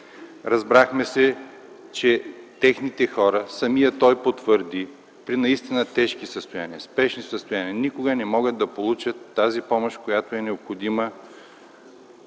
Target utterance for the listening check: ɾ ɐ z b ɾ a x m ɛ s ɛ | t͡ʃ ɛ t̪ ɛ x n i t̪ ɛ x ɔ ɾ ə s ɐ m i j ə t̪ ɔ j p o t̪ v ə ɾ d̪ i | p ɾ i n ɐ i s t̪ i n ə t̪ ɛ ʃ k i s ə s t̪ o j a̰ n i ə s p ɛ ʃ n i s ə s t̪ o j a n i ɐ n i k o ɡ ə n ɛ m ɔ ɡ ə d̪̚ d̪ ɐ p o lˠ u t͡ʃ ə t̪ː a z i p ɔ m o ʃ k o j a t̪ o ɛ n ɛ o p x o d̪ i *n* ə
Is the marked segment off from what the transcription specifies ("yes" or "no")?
yes